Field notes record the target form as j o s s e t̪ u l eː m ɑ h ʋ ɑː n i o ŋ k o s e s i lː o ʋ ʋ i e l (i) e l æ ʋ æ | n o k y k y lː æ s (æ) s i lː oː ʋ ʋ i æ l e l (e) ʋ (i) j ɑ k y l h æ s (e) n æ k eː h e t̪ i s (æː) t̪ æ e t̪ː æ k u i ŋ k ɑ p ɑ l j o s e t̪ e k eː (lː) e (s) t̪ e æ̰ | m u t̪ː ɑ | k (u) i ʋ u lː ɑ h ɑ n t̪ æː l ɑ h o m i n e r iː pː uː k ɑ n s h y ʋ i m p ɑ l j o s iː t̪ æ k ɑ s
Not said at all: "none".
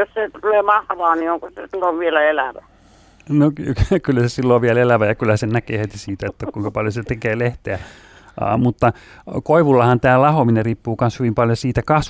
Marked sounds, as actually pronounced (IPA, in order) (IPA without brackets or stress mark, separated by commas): æ, e, æ, æ, e, iː, l, h, o